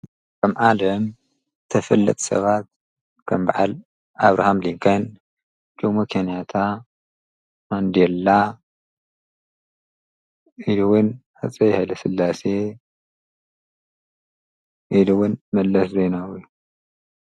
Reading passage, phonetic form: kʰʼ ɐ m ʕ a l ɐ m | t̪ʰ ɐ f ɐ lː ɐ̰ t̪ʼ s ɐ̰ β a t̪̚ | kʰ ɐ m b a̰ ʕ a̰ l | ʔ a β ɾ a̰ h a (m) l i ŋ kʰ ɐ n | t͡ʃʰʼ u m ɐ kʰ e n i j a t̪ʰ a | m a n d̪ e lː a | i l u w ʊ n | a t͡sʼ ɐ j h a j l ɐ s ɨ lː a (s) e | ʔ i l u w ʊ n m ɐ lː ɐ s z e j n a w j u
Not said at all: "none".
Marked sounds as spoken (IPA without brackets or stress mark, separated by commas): m, s